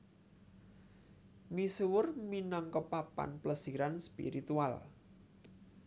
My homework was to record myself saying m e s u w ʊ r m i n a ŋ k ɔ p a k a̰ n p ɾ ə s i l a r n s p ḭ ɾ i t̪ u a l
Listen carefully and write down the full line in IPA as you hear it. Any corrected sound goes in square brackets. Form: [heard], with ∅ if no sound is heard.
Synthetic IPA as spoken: m [i] s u w ʊ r m i n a ŋ k ɔ p a [p] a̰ n p [l] ə s i [ɾ] a [∅] n s p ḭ ɾ i t̪ u a l